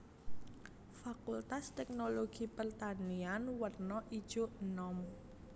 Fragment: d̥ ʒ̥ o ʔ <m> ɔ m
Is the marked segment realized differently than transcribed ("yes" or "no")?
yes